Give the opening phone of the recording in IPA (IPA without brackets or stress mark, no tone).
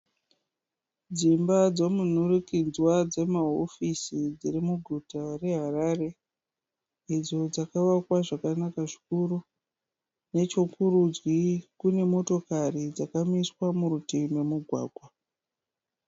d͡z